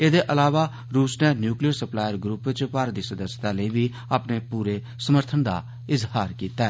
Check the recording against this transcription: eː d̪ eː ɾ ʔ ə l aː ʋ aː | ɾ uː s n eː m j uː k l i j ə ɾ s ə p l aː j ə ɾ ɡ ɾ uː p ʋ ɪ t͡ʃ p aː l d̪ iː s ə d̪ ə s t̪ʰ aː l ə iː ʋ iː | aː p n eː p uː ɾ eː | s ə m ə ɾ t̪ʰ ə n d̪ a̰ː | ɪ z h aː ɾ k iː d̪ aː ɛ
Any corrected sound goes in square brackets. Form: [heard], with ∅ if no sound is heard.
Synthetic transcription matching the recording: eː d̪ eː [∅] ʔ ə l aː ʋ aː | ɾ uː s n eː [n] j uː k l i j ə ɾ s ə p l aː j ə ɾ ɡ ɾ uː p ʋ ɪ t͡ʃ p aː [ɾ] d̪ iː s ə d̪ ə s [t̪] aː l ə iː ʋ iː | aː p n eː p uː ɾ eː | s ə m ə ɾ t̪ʰ ə n d̪ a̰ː | ɪ z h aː ɾ k iː [t̪] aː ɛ

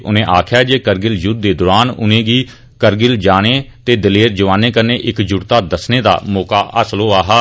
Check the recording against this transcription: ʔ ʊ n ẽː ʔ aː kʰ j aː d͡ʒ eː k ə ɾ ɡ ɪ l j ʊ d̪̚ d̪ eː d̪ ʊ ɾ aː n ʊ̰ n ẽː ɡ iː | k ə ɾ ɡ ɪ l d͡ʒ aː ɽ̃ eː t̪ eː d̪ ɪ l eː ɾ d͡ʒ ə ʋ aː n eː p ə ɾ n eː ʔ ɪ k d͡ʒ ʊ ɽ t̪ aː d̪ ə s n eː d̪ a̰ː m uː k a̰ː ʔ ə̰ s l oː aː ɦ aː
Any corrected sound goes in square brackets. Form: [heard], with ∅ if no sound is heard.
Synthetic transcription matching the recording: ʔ ʊ n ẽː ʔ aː kʰ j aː d͡ʒ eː k ə ɾ ɡ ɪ l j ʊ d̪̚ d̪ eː d̪ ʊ ɾ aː n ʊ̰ n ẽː ɡ iː | k ə ɾ ɡ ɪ l d͡ʒ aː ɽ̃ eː t̪ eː d̪ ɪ l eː ɾ d͡ʒ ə ʋ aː n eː [k] ə ɾ n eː ʔ ɪ k d͡ʒ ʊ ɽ t̪ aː d̪ ə s n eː d̪ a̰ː m [ɔː] k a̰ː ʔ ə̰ s l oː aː ɦ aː

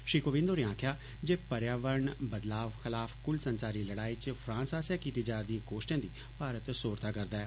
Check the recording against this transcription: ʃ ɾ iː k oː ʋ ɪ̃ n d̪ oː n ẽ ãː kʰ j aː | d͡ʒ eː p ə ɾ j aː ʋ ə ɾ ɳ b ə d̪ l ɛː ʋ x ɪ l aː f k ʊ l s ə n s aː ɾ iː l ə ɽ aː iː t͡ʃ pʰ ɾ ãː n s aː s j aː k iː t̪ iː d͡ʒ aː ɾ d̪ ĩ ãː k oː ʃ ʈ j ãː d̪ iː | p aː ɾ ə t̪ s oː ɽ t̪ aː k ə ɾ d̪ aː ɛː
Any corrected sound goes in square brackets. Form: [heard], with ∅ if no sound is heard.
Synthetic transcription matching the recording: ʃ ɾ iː k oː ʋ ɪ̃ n d̪ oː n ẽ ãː kʰ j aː | d͡ʒ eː p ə ɾ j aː ʋ ə ɾ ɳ b ə d̪ l [aː] ʋ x ɪ l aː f k ʊ l s ə n s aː ɾ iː l ə ɽ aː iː t͡ʃ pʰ ɾ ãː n s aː s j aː k iː t̪ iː d͡ʒ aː ɾ d̪ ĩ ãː k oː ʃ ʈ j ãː d̪ iː | p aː ɾ ə t̪ s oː [ɾ] t̪ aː k ə ɾ d̪ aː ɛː

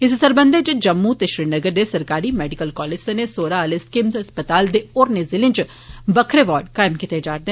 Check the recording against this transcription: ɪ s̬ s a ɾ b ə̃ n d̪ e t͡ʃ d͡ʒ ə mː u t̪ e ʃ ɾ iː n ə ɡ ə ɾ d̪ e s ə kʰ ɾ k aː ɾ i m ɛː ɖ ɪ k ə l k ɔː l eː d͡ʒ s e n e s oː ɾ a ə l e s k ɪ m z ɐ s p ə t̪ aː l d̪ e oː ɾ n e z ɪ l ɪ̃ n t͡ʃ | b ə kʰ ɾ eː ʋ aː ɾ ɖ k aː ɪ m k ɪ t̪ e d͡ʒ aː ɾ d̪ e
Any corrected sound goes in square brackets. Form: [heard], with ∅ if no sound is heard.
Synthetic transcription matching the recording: ɪ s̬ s [ə] ɾ b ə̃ n d̪ e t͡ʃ d͡ʒ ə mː u t̪ e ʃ ɾ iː n ə ɡ ə ɾ d̪ e s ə [∅] ɾ k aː ɾ i m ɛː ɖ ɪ k ə l k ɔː l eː d͡ʒ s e n e s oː ɾ a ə l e s k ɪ m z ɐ s p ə t̪ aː l d̪ e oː ɾ n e z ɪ l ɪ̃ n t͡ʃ | b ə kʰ ɾ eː ʋ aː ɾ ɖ k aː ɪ m k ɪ t̪ e d͡ʒ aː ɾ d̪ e

